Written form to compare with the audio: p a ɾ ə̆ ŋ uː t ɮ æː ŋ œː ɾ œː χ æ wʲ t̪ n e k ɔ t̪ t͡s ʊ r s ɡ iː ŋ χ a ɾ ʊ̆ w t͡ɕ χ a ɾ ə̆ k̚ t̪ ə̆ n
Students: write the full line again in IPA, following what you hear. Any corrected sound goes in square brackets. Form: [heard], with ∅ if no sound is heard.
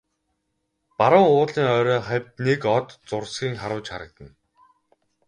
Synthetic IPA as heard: p a ɾ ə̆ ŋ [ʊː] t ɮ [iː] ŋ œː ɾ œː χ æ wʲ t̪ n e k ɔ t̪ t͡s ʊ r s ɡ iː ŋ χ a ɾ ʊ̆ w t͡ɕ χ a ɾ ə̆ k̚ t̪ ə̆ n